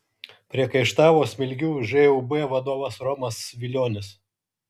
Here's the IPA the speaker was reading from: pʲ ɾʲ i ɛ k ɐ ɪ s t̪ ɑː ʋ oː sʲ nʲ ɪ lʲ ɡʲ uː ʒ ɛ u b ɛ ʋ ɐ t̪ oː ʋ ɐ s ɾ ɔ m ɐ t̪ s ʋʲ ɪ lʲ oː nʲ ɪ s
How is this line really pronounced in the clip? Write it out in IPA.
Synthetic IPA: pʲ ɾʲ i ɛ k ɐ ɪ ʃ t̪ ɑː ʋ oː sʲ mʲ ɪ lʲ ɡʲ uː ʒ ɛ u b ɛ ʋ ɐ d̪ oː ʋ ɐ s ɾ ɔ m ɐ s ʋʲ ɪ lʲ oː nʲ ɪ s